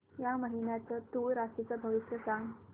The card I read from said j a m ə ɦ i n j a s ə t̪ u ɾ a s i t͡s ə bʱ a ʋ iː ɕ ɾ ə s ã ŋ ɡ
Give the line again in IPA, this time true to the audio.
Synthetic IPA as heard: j a m ə ɦ i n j a t͡s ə t̪ u ɾ a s i t͡s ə bʱ ə ʋ i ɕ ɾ ə s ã ŋ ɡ